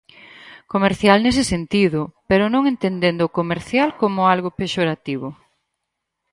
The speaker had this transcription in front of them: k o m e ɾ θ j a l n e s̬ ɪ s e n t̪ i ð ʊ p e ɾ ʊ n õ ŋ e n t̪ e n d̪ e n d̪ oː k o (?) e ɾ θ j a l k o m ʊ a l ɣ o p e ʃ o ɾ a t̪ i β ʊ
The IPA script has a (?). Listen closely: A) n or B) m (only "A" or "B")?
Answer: B